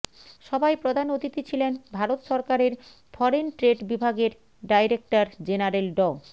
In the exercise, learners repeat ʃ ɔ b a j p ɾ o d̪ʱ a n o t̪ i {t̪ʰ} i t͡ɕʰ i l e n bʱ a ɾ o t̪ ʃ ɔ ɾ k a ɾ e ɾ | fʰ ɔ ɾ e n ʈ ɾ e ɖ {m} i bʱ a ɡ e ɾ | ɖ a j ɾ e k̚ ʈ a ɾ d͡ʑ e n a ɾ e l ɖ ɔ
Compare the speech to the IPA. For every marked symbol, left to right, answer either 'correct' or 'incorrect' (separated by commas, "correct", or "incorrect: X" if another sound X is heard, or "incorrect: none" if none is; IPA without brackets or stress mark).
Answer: incorrect: t̪, incorrect: b